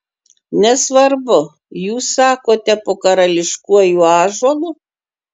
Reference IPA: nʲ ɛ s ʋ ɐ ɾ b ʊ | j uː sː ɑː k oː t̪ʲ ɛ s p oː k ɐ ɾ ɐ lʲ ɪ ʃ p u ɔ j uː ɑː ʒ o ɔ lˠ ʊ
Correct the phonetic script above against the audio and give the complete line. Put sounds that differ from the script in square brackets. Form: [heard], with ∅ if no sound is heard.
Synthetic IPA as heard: nʲ ɛ s ʋ ɐ ɾ b ʊ | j uː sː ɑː k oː t̪ʲ ɛ [∅] p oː k ɐ ɾ ɐ lʲ ɪ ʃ [k] u ɔ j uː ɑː ʒ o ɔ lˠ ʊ